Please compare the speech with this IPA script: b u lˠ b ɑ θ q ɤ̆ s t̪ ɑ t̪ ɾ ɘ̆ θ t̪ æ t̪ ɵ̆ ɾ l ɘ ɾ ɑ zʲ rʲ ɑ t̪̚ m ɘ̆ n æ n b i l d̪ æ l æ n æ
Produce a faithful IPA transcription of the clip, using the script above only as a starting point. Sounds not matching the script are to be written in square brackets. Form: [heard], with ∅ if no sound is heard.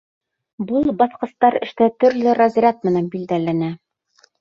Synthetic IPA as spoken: b u lˠ b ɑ θ q ɤ̆ s t̪ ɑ [∅] ɾ ɘ̆ [ʃ] t̪ æ t̪ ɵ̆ ɾ l ɘ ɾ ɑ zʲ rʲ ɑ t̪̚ m ɘ̆ n æ n b i l d̪ æ l æ n æ